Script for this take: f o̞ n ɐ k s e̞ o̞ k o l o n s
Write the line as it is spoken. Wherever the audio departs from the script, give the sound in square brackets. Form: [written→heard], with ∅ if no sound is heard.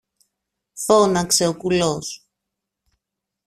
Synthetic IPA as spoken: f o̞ n ɐ k s e̞ o̞ k [o→u] l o [n→∅] s